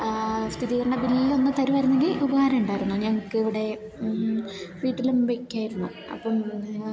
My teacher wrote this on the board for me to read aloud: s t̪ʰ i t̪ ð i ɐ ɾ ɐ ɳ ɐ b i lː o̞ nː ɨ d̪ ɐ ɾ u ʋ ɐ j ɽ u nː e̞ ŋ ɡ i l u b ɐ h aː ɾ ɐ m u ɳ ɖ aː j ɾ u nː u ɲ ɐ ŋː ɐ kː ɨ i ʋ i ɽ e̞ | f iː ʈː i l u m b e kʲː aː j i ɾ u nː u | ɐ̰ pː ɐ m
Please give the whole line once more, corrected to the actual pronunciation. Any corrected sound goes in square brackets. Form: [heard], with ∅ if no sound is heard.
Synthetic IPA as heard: s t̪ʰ i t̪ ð i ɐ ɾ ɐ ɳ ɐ b i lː o̞ nː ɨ [t̪] ɐ ɾ u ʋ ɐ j [ɾ] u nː e̞ ŋ ɡ i l u b ɐ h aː ɾ ɐ m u ɳ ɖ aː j ɾ u nː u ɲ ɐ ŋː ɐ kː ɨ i ʋ i ɽ e̞ | f iː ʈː i l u m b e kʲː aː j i ɾ u nː u | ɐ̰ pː ɐ m

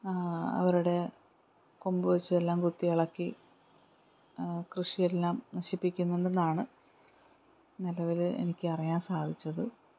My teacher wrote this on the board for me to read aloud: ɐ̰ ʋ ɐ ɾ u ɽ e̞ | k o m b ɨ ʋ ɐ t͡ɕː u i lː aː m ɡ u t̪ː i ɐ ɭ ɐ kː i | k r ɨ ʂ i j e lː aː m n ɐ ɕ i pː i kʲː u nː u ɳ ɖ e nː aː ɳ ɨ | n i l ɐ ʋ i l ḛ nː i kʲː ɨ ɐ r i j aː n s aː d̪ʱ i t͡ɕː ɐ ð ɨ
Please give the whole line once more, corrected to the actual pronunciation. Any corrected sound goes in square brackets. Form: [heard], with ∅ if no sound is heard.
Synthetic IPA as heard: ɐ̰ ʋ ɐ ɾ u ɽ e̞ | k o m b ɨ ʋ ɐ t͡ɕː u [e] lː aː m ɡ u t̪ː i ɐ ɭ ɐ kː i | k r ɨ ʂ i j e lː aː m n ɐ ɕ i pː i kʲː u nː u ɳ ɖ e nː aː ɳ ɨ | n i l ɐ ʋ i l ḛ [n] i kʲː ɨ ɐ r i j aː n s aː d̪ʱ i t͡ɕː ɐ ð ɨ

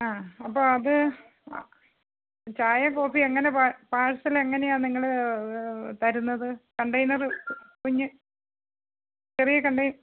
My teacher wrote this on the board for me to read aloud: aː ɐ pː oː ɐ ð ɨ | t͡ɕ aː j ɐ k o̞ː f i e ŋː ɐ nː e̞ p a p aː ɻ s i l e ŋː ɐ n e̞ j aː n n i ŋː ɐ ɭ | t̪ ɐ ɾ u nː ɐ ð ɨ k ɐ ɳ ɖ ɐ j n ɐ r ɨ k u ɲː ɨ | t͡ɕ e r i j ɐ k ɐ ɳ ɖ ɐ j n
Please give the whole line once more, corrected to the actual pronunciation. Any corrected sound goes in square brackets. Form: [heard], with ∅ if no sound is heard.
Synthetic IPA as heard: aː ɐ pː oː ɐ ð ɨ | t͡ɕ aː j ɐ k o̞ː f i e ŋː ɐ [n] e̞ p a p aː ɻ s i l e ŋː ɐ n e̞ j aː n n i ŋː ɐ ɭ | t̪ ɐ ɾ u nː ɐ ð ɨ k ɐ ɳ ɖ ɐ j n ɐ r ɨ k u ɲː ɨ | t͡ɕ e r i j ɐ k ɐ ɳ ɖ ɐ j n

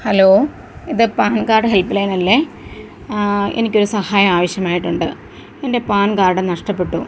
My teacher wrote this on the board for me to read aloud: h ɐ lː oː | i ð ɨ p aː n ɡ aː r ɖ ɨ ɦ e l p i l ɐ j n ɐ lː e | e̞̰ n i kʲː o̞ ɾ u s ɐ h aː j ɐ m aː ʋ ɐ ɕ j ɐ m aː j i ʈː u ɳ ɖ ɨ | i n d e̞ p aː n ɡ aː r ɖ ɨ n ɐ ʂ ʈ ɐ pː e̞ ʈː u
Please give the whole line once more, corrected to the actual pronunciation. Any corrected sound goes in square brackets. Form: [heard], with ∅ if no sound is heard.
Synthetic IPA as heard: h ɐ [l] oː | i ð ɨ p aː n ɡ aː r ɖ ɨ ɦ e l p i l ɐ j n ɐ lː e | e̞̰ n i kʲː o̞ ɾ u s ɐ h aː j ɐ m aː ʋ ɐ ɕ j ɐ m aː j i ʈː u ɳ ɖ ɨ | [e] n d e̞ p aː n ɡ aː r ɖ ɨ n ɐ ʂ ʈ ɐ pː e̞ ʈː u

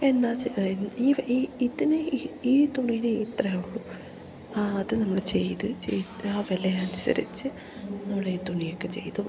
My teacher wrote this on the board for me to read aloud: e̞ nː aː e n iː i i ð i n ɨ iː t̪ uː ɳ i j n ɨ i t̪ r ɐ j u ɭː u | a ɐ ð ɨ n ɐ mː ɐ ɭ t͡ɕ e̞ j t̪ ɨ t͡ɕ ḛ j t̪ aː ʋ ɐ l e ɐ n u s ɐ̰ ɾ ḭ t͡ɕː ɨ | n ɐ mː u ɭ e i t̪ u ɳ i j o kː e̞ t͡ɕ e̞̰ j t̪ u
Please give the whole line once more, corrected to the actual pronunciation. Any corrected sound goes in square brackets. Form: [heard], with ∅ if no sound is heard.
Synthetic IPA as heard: e̞ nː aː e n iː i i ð i n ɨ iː t̪ [u] ɳ i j n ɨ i t̪ r ɐ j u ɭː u | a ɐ ð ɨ n ɐ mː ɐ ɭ t͡ɕ e̞ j t̪ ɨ t͡ɕ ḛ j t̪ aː ʋ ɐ l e ɐ n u s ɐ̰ ɾ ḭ t͡ɕː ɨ | n ɐ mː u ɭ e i t̪ u ɳ i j o kː e̞ t͡ɕ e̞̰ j t̪ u

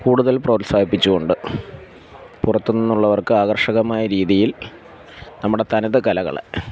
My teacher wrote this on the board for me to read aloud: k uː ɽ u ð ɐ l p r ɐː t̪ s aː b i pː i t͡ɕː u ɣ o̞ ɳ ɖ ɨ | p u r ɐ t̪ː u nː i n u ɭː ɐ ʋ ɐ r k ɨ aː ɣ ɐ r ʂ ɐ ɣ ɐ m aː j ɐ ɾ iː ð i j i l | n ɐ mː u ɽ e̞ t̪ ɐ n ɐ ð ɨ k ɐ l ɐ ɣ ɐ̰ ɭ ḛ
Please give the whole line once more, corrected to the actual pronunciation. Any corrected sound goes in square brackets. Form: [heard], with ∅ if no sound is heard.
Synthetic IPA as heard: k uː ɽ u ð ɐ l p r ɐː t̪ s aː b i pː i t͡ɕː u ɣ o̞ ɳ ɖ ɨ | p u r ɐ t̪ː u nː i [nː] u ɭː ɐ ʋ ɐ r k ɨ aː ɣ ɐ r ʂ ɐ ɣ ɐ m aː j ɐ ɾ iː ð i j i l | n ɐ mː u ɽ e̞ t̪ ɐ n ɐ ð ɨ k ɐ l ɐ ɣ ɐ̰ ɭ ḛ

